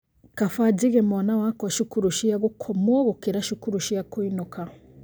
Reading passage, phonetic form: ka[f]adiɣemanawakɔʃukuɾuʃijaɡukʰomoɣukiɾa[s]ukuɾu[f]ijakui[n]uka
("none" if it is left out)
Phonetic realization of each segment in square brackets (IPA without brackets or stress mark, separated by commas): f, ʃ, ʃ, n